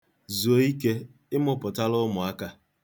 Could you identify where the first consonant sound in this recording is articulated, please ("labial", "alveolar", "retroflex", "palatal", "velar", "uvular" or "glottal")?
alveolar